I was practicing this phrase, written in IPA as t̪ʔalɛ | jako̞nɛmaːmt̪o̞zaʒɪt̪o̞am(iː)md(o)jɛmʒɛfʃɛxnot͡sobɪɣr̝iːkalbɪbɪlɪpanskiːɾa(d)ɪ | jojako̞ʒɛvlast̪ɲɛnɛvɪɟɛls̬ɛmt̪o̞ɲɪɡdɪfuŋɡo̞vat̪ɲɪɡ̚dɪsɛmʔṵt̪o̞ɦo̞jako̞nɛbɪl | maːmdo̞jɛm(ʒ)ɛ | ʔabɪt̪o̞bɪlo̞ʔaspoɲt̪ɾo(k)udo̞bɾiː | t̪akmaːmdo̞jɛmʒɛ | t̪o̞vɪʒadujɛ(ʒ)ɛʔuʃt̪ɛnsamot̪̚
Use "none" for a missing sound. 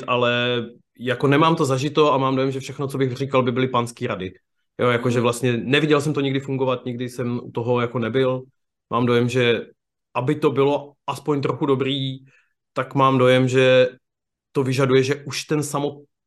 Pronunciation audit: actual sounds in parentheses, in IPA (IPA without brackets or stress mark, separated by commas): aː, o, d, ʒ, x, ʒ